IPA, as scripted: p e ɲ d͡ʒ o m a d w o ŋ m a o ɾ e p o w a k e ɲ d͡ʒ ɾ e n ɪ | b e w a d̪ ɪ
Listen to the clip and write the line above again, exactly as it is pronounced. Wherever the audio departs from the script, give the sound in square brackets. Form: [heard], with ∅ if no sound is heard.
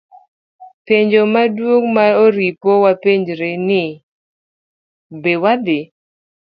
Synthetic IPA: p e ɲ d͡ʒ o m a d w o ŋ m a o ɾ [i] p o w a [p] e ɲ d͡ʒ ɾ e n ɪ | b e w a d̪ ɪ